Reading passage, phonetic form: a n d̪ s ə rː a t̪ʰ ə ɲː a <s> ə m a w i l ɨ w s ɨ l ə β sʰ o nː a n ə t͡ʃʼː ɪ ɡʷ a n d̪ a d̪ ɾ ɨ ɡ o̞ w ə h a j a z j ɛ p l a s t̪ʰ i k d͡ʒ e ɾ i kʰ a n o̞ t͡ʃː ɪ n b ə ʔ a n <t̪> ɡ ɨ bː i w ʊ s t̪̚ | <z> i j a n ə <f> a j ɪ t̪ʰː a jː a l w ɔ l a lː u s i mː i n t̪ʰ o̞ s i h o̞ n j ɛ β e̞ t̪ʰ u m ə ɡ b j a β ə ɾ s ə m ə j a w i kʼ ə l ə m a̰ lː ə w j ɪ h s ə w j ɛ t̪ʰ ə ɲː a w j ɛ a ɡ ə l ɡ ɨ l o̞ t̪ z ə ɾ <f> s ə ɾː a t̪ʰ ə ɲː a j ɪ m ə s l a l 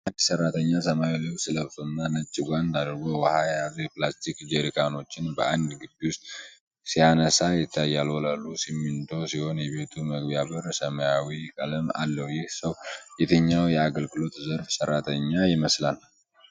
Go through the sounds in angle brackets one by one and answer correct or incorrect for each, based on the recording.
correct, incorrect, incorrect, incorrect, correct

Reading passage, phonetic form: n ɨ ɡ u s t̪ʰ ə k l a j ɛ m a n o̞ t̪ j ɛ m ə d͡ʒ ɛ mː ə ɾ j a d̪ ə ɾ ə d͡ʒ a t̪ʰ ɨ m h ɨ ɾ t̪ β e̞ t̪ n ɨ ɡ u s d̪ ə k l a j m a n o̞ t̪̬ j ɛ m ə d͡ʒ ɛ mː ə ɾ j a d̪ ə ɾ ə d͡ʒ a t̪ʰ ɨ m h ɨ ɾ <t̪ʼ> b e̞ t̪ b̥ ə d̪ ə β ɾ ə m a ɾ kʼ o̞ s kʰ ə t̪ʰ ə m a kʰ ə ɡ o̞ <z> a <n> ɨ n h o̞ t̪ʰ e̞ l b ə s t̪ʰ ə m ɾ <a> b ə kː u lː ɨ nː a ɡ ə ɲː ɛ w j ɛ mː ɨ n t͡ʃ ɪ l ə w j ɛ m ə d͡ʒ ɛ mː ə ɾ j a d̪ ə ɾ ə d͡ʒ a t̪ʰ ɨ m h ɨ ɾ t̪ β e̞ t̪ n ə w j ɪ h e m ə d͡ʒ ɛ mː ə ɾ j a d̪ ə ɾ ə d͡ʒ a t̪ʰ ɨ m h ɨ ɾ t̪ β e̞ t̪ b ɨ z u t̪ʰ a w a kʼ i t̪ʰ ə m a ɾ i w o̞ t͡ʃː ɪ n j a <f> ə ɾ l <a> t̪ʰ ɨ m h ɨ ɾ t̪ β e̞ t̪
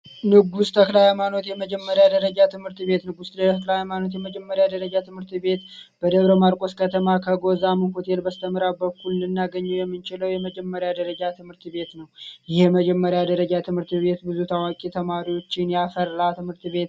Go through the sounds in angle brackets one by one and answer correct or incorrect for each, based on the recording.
incorrect, correct, incorrect, correct, correct, correct

